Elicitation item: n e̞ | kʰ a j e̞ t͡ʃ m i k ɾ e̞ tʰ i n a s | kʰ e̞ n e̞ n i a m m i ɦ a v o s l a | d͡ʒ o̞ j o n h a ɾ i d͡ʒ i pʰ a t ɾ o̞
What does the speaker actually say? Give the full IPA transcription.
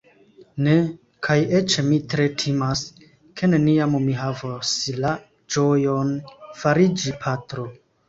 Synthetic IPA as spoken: n e̞ | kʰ a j e̞ t͡ʃ m i t ɾ e̞ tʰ i m a s | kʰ e̞ n e̞ n i a m m i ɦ a v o s l a | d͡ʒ o̞ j o n f a ɾ i d͡ʒ i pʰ a t ɾ o̞